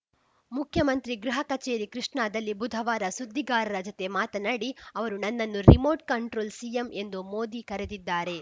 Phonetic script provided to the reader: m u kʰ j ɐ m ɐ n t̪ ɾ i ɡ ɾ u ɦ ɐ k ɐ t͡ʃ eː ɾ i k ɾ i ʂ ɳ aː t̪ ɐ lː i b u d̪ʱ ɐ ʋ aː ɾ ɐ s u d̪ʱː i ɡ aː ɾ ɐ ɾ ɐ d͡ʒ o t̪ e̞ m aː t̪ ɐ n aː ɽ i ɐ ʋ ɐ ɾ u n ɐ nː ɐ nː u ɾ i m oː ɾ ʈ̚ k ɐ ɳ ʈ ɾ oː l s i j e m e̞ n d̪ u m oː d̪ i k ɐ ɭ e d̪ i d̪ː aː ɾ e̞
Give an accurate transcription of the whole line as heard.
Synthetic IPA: m u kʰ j ɐ m ɐ n t̪ ɾ i ɡ ɾ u ɦ ɐ k ɐ t͡ʃ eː ɾ i k ɾ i ʂ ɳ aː d̪ ɐ lː i b u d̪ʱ ɐ ʋ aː ɾ ɐ s u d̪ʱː i ɡ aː ɾ ɐ ɾ ɐ d͡ʒ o t̪ e̞ m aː t̪ ɐ n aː ɽ i ɐ ʋ ɐ ɾ u n ɐ nː ɐ nː u ɾ i m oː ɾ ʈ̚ k ɐ ɳ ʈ ɾ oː l s i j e m e̞ n d̪ u m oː d̪ i k ɐ ɾ e d̪ i d̪ː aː ɾ e̞